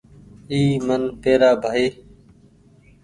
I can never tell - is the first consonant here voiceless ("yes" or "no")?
no